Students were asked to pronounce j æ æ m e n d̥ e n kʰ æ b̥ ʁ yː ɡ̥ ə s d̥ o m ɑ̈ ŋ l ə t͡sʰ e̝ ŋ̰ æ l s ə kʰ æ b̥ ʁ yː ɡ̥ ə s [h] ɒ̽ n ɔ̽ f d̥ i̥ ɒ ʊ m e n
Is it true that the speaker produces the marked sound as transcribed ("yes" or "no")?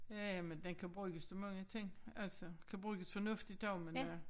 no